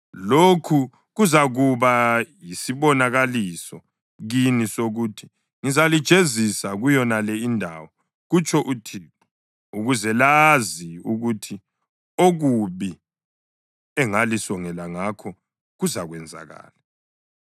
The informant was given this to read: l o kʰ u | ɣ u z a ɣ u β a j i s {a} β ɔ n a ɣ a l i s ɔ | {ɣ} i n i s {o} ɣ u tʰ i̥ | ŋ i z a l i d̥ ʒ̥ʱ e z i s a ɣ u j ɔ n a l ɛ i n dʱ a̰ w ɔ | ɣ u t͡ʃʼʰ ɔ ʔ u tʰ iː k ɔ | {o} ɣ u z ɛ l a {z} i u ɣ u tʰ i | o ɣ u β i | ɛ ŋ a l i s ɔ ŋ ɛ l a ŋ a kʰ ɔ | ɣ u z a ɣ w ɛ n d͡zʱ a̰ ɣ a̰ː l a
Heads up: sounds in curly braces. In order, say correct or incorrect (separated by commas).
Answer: incorrect, correct, correct, incorrect, correct